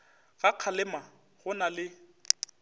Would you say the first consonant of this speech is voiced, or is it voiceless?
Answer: voiced